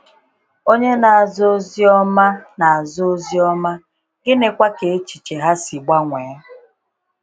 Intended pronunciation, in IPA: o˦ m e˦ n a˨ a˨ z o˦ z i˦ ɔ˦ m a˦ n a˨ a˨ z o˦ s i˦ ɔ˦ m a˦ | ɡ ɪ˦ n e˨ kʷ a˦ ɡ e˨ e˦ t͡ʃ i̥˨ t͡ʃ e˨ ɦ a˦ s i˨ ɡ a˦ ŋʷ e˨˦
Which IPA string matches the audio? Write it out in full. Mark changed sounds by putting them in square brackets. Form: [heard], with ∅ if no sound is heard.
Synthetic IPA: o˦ [ɲ] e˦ n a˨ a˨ z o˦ z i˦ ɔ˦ m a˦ n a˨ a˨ z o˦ [z] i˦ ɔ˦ m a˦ | ɡ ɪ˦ n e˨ kʷ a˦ [k] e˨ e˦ t͡ʃ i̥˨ t͡ʃ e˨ ɦ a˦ s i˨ [ɡ͡b] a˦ ŋʷ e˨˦